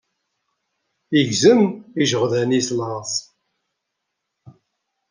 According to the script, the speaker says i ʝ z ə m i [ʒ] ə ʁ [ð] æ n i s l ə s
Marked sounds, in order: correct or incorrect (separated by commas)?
correct, correct